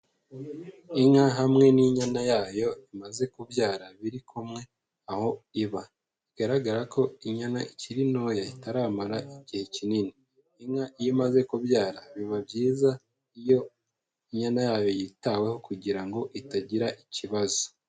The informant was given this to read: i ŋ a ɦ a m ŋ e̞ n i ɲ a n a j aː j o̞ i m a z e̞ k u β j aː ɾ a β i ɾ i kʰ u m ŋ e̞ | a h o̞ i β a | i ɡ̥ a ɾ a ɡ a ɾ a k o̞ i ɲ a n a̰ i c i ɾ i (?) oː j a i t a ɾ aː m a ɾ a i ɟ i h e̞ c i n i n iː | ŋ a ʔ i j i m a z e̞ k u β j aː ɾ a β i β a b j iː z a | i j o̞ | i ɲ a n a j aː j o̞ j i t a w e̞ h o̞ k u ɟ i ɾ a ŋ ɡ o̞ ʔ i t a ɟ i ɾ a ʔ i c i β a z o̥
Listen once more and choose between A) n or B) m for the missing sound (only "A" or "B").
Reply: A